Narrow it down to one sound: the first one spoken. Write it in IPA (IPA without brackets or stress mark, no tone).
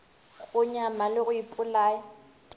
ɣ